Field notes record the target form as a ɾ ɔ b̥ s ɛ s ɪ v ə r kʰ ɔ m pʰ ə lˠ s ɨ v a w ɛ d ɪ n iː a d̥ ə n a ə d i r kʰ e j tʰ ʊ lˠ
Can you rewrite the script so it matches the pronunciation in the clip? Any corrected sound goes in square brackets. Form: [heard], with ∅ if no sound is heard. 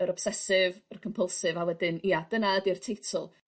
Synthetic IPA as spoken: [ə] ɾ ɔ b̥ s ɛ s ɪ v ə r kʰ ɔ m pʰ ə lˠ s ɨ v a w ɛ d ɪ n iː a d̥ ə n a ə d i r [tʰ] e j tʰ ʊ lˠ